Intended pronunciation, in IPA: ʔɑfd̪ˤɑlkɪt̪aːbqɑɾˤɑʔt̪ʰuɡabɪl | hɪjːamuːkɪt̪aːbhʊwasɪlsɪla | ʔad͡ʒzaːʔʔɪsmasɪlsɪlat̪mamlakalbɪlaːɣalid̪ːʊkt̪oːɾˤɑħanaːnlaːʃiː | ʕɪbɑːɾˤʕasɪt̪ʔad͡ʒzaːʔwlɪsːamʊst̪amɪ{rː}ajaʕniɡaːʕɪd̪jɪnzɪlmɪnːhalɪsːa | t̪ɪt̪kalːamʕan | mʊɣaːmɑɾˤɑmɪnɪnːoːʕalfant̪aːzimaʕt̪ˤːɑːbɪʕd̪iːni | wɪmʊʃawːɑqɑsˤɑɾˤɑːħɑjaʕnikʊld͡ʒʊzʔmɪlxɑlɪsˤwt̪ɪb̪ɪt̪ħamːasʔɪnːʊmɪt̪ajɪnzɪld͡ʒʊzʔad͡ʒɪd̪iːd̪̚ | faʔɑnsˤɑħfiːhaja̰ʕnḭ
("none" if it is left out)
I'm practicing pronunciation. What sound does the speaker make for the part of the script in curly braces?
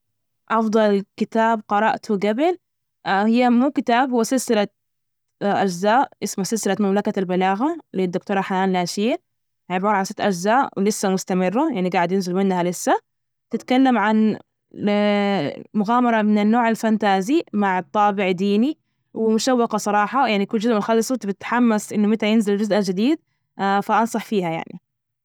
rː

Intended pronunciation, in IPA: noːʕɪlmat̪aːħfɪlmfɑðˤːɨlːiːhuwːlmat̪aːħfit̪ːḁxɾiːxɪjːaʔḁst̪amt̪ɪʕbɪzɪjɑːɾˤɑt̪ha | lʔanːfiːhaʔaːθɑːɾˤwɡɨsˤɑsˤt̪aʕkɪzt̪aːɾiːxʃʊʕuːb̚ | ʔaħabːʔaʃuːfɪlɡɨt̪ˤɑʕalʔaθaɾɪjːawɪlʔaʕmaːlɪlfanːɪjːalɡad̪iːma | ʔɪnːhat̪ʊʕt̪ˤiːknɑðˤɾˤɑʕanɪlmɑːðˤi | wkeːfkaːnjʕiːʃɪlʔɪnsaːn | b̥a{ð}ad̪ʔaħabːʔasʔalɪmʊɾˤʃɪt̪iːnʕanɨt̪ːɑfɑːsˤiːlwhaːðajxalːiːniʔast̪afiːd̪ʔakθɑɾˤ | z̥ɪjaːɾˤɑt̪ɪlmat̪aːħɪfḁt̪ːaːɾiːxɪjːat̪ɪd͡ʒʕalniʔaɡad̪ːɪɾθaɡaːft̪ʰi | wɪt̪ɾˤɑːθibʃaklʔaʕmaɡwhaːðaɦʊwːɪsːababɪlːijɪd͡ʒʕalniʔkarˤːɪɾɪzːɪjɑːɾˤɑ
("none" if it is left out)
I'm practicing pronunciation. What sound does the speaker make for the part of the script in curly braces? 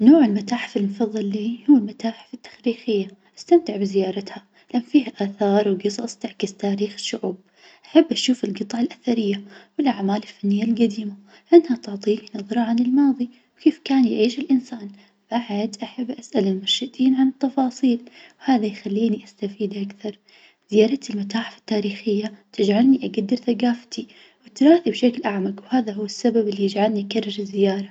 ʕ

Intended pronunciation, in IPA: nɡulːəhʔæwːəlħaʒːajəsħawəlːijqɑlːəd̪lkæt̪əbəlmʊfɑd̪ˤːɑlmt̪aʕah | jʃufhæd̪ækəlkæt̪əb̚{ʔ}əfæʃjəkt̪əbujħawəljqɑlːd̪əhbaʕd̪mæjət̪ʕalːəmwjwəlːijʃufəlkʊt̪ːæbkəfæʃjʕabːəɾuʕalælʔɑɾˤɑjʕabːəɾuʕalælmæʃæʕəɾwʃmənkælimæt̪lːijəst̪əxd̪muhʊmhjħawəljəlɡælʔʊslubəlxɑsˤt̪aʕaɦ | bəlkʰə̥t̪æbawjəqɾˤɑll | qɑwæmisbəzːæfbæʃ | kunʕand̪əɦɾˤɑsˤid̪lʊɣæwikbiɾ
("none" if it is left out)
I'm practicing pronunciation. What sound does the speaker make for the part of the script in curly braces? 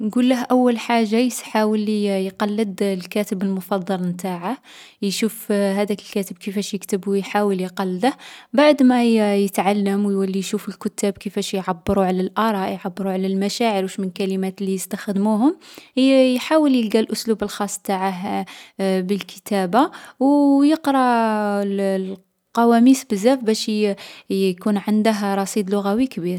k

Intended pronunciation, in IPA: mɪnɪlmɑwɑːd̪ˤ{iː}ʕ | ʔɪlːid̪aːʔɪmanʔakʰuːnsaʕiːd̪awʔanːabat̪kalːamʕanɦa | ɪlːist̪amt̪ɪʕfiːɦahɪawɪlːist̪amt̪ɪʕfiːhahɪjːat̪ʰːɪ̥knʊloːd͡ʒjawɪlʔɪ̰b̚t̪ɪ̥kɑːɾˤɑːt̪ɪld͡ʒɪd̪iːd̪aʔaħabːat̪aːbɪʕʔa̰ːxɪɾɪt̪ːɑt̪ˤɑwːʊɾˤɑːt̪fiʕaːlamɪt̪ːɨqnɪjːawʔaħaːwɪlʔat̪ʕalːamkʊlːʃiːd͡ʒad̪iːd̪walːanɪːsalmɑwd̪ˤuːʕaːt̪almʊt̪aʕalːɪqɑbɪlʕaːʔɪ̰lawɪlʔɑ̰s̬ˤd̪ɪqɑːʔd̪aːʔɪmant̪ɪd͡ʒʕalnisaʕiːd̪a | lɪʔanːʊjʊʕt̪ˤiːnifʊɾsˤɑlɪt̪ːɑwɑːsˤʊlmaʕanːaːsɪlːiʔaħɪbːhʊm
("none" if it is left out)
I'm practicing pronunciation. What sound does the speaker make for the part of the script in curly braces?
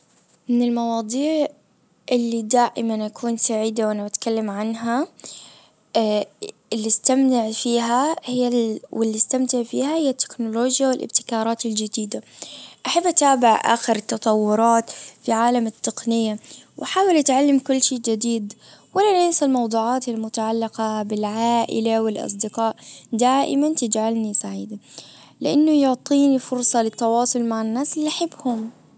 iː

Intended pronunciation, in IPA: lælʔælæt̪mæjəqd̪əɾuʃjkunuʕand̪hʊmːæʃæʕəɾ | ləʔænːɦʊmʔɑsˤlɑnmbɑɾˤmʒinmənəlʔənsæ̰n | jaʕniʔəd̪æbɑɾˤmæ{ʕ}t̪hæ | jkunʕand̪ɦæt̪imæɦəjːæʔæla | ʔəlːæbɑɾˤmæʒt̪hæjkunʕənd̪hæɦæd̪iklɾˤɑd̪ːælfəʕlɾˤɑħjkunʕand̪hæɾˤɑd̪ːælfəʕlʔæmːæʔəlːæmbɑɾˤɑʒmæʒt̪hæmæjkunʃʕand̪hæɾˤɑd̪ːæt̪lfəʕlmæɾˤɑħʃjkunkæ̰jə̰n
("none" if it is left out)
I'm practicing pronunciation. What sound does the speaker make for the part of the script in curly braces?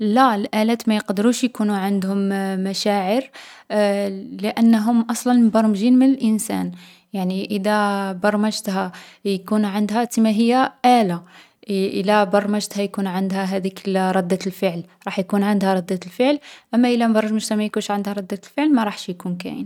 ʒ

